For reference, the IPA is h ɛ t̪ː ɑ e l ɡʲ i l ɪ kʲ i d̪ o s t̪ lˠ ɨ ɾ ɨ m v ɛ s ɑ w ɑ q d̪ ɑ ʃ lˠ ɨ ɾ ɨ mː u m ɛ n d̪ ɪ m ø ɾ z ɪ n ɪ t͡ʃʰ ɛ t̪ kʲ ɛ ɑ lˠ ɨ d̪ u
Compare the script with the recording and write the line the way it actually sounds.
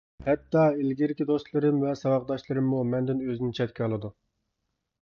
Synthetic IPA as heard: h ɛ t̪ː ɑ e l ɡʲ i ɾ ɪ kʲ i d̪ o s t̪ lˠ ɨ ɾ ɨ m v ɛ s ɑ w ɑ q d̪ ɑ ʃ lˠ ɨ ɾ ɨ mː u m ɛ n d̪ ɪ n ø z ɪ n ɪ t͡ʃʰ ɛ t̪ kʲ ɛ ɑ lˠ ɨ d̪ u